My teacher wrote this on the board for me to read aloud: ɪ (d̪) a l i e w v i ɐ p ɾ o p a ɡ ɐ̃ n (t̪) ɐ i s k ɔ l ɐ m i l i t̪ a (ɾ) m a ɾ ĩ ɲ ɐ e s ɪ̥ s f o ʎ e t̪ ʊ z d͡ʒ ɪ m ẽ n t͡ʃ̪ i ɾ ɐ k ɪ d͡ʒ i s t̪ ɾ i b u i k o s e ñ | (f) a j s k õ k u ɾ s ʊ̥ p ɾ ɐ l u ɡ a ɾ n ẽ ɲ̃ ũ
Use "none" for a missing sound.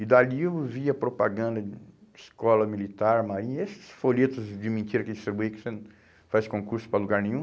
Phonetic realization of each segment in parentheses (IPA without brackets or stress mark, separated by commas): d̪, d̪, ɾ, f